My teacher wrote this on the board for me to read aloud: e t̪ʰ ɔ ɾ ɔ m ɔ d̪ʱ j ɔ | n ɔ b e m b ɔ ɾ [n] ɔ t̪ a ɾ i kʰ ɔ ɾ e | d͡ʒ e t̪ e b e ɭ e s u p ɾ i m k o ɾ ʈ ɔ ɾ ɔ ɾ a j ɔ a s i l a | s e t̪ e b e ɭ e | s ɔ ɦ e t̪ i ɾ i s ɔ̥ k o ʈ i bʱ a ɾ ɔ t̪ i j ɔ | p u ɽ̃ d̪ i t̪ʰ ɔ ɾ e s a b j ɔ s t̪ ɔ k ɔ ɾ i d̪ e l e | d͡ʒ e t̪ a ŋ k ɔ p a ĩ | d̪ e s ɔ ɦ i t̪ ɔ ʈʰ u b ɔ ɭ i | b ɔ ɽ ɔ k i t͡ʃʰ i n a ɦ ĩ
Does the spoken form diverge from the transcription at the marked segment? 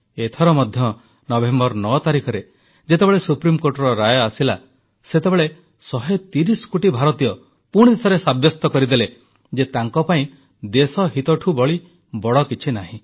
no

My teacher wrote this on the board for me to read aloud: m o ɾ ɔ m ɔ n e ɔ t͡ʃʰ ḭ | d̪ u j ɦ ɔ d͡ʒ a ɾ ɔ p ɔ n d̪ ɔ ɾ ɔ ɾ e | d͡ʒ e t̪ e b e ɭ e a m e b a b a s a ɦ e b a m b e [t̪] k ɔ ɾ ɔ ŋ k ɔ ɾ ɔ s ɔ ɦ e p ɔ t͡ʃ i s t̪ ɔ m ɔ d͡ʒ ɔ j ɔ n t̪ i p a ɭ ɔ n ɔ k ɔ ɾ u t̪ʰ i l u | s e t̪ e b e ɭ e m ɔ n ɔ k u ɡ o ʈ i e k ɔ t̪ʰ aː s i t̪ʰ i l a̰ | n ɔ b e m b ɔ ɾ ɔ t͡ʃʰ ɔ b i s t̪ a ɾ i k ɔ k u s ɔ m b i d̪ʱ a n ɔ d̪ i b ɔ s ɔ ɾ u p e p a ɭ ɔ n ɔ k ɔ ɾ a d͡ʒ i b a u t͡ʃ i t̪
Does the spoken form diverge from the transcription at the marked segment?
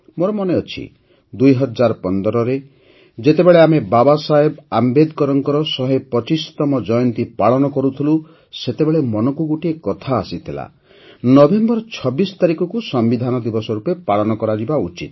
yes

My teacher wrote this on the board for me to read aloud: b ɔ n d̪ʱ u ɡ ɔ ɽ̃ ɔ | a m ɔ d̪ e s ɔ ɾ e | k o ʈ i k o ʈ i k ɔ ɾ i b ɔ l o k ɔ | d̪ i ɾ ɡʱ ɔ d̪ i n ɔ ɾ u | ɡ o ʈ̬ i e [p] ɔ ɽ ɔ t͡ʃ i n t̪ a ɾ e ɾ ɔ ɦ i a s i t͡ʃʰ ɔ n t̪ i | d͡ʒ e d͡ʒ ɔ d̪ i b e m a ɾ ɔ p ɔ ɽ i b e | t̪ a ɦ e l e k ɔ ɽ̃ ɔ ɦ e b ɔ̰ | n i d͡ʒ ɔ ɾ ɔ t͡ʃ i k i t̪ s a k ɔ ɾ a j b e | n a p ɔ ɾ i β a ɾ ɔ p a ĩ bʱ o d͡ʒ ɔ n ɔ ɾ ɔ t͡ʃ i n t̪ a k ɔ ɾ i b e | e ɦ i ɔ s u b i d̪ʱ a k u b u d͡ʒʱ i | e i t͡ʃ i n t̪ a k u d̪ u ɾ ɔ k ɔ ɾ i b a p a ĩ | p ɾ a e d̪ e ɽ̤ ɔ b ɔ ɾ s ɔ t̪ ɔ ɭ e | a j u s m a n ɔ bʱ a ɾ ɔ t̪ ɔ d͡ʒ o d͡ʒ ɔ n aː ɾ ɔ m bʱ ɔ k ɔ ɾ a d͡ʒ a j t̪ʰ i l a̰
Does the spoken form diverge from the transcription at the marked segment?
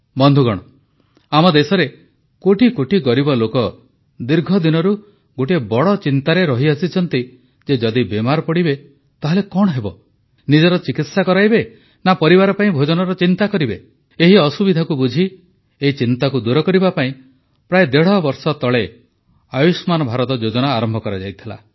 yes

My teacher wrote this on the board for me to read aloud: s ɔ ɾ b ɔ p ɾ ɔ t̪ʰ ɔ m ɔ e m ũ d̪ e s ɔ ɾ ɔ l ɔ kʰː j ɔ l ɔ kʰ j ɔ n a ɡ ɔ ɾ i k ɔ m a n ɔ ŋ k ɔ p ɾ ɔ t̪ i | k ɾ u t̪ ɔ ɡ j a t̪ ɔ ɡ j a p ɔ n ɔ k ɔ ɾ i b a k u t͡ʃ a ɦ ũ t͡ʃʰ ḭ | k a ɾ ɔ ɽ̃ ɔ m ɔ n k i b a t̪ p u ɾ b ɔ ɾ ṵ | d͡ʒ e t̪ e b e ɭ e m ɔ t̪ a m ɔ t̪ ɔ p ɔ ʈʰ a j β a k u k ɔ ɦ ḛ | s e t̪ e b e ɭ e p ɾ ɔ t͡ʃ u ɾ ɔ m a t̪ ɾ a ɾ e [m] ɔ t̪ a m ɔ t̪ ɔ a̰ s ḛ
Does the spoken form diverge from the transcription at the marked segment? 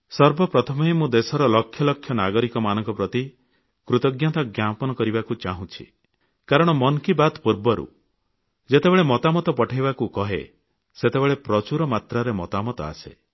no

